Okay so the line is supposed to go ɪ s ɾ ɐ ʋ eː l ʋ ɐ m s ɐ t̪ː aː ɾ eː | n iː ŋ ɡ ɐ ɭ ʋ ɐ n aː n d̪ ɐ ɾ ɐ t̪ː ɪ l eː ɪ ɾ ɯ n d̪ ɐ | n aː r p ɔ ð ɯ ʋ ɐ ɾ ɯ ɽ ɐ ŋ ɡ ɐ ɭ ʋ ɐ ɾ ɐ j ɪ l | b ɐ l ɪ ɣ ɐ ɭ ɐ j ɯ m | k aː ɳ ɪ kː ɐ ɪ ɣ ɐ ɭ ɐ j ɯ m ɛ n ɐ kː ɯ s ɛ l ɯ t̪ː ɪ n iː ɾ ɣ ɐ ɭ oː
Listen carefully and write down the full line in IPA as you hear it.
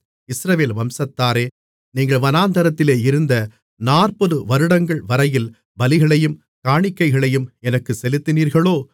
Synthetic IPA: ɪ s ɾ ɐ ʋ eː l ʋ ɐ m s ɐ t̪ː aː ɾ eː | n iː ŋ ɡ ɐ ɭ ʋ ɐ n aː n d̪ ɐ ɾ ɐ t̪ː ɪ l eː ɪ ɾ ɯ n d̪ ɐ | n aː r p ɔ ð ɯ ʋ ɐ ɾ ɯ ɽ ɐ ŋ ɡ ɐ ɭ ʋ ɐ ɾ ɐ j ɪ l | b ɐ l ɪ ɣ ɐ ɭ ɐ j ɯ m | k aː ɳ ɪ kː ɐ ɪ ɣ ɐ ɭ ɐ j ɯ m ɛ n ɐ kː ɯ s ɛ l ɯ t̪ː ɪ n iː ɾ ɣ ɐ ɭ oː